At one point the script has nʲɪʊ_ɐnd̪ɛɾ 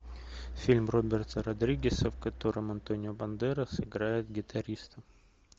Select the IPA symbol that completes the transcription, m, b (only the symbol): b